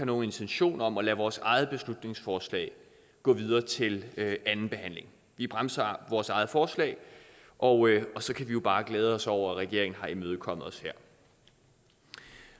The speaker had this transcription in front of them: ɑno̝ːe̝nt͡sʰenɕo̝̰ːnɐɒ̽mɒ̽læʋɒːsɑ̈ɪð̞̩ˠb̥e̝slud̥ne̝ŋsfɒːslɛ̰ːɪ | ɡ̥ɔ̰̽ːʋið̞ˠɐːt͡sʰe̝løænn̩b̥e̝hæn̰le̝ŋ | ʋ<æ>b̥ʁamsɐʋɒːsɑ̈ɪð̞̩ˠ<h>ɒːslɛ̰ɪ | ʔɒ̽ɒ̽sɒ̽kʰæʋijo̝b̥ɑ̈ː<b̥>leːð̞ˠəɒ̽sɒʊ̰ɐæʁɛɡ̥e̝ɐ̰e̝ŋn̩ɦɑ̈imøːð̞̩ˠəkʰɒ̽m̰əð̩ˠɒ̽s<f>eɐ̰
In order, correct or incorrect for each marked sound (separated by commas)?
incorrect, incorrect, incorrect, incorrect